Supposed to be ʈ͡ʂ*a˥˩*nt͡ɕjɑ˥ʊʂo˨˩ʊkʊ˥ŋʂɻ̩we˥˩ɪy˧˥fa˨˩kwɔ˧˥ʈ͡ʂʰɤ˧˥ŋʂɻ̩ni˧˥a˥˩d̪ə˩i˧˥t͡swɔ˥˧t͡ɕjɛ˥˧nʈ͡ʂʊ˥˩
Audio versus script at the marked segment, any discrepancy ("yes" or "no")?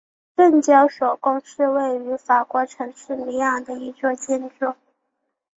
yes